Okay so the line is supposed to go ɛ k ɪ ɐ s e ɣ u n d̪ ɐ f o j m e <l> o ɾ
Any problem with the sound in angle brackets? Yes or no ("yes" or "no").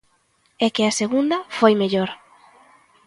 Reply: yes